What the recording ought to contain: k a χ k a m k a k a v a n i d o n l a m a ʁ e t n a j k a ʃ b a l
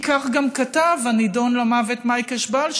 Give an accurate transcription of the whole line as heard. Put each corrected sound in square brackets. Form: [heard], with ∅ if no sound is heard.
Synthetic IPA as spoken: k a χ [ɡ] a m k a [t] a v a n i d o n l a m a [v] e t [m] a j k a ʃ b a l

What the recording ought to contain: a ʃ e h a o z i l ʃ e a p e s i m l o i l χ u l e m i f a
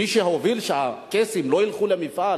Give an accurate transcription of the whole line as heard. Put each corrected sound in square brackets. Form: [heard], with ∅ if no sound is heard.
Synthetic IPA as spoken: [i] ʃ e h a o [v] i l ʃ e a [k] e s i m l o i l χ u l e m i f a

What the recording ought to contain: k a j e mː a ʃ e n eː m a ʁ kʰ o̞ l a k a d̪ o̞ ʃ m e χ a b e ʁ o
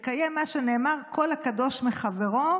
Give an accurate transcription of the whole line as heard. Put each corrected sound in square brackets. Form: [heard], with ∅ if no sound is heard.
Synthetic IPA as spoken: k a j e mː a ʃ e n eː m a ʁ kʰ o̞ l a k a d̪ o̞ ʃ m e χ a [v] e ʁ o

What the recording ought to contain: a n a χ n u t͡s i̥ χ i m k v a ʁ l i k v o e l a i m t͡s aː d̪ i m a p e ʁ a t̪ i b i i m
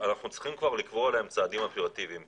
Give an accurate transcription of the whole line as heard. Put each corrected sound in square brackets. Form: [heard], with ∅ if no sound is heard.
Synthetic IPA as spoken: a n a χ n u t͡s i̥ χ i m k v a ʁ l i k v o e l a [e] m t͡s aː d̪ i m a p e ʁ a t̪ i [v] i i m

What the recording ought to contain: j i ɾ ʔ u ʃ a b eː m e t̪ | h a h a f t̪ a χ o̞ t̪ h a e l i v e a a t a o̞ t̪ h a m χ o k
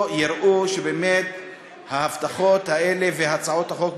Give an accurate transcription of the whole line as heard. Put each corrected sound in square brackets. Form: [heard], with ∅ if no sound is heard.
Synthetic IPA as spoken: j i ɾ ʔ u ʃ [e] b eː m e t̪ | h a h a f t̪ a χ o̞ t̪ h a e l [e] v e a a [t͡s] a o̞ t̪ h a [∅] χ o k

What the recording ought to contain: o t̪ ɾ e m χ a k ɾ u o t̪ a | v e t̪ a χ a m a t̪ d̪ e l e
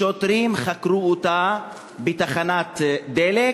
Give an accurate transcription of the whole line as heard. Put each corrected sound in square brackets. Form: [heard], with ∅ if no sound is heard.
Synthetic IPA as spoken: o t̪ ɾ [i] m χ a k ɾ u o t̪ a | [b] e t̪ a χ a [n] a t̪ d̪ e l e

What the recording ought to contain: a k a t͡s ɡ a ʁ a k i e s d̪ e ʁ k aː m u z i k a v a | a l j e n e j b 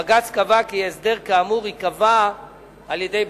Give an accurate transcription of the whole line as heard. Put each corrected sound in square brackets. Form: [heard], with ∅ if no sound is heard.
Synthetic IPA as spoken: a [ɡ] a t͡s [k] a [v] a k i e s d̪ e ʁ k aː m u [ʁ] i k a v a | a l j e [d] e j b

